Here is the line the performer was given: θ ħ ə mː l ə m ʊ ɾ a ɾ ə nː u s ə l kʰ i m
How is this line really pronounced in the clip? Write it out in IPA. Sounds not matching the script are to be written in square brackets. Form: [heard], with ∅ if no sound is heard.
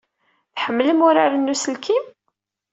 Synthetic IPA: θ ħ ə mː l ə m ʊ ɾ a ɾ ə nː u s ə l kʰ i m